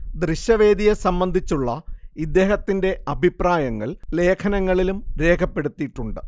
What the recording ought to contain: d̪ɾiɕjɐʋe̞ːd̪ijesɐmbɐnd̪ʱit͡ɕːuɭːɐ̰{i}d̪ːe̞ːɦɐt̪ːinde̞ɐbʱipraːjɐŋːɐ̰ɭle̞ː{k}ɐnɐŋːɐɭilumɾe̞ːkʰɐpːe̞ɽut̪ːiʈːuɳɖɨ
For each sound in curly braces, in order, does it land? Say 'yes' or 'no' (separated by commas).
yes, no